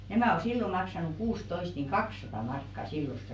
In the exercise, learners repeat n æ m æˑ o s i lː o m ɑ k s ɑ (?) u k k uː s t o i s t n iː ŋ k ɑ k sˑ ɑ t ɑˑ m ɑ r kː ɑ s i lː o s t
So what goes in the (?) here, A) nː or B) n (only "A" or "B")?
B